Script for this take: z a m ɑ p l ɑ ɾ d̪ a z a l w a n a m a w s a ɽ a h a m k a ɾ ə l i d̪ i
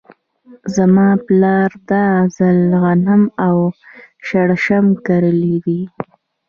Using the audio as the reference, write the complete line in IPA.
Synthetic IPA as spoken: z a m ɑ p l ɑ ɾ d̪ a z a l ɣ a n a m a w ʃ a ɽ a ʃ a m k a ɾ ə l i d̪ i